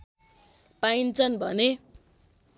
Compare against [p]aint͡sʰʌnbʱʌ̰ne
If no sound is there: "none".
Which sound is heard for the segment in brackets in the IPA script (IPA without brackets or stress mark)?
p